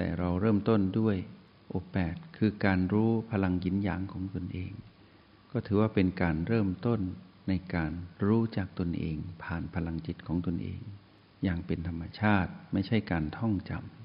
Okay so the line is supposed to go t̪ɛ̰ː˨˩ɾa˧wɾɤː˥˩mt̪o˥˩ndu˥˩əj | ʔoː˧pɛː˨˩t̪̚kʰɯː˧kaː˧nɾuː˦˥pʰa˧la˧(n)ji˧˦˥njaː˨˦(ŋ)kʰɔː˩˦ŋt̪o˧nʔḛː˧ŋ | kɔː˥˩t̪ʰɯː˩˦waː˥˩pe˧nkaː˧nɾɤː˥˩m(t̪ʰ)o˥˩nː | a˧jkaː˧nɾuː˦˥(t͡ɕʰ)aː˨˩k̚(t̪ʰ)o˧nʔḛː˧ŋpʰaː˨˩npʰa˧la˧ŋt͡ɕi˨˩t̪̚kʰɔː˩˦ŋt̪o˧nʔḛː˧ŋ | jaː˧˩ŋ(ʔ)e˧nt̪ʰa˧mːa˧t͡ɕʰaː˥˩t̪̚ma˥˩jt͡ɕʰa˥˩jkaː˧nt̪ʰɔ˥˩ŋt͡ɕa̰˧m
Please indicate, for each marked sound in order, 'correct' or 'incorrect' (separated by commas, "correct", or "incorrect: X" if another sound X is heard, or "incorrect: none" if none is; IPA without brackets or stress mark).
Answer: incorrect: ŋ, correct, incorrect: t̪, incorrect: t͡ɕ, incorrect: t̪, incorrect: p